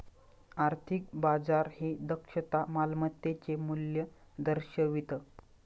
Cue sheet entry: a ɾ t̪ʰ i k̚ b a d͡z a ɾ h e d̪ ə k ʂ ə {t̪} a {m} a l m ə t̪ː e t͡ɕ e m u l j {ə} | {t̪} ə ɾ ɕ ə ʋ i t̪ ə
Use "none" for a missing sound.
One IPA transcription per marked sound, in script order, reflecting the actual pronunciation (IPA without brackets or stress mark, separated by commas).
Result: t̪, m, ə, d̪